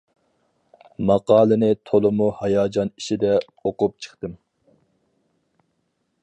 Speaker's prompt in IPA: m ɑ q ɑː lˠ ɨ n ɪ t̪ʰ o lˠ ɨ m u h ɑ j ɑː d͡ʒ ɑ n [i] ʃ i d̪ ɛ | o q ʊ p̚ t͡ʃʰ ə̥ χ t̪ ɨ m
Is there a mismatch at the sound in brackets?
no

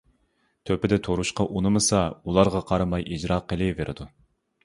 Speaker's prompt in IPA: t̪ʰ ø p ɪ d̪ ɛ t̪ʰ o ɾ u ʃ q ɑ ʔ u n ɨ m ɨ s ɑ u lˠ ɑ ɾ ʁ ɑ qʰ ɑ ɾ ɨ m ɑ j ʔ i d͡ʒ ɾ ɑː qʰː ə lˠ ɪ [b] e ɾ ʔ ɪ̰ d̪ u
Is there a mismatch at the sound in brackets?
yes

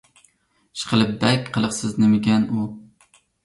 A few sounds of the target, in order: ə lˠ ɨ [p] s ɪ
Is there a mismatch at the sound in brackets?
yes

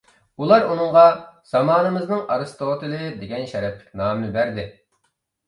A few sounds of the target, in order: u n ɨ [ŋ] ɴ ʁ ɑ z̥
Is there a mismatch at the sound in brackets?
yes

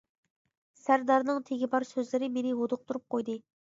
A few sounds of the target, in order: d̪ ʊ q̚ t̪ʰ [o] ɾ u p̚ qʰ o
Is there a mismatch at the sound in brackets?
yes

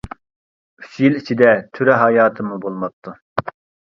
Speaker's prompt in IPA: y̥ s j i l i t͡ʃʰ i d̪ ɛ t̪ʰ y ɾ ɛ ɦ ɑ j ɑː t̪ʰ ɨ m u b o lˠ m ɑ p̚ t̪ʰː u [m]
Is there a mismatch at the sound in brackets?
yes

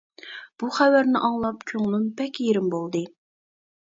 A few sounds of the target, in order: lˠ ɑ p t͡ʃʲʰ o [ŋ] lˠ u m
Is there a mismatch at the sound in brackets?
no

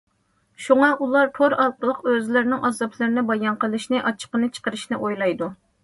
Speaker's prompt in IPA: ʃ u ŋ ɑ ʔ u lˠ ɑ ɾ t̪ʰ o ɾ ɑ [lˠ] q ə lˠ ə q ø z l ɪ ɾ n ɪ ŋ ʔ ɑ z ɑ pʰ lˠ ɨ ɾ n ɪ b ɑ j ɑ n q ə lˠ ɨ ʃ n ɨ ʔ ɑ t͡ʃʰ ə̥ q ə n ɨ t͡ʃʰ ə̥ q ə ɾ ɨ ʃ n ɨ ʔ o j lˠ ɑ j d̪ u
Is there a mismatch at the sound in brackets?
no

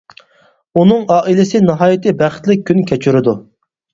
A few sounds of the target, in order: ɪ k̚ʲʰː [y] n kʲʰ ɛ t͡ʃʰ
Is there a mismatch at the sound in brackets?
no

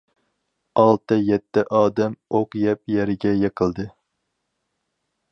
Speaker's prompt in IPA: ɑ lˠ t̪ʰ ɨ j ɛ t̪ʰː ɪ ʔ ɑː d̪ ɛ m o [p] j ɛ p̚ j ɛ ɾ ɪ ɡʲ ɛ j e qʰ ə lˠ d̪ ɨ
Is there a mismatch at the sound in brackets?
yes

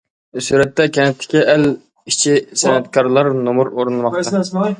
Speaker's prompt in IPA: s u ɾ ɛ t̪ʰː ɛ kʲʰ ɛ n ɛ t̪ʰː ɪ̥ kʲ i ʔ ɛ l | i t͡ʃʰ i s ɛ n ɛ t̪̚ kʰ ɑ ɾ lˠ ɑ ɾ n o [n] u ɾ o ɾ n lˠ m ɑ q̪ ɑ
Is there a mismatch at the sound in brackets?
yes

